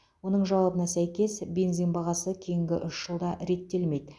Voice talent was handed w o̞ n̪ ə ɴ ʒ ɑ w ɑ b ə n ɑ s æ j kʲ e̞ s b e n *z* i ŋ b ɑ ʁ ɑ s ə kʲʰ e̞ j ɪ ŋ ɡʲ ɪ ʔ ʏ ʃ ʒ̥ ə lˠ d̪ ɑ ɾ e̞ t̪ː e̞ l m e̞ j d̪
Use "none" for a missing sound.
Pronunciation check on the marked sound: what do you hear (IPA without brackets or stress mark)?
z